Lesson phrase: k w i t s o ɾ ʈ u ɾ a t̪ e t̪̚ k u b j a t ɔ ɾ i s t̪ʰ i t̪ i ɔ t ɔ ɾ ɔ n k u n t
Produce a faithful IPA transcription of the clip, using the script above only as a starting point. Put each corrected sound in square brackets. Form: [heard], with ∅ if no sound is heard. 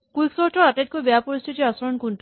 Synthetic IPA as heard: k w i [k] s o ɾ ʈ [ɔ] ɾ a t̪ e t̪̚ k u b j a [p] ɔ ɾ i s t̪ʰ i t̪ i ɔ [s] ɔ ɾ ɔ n k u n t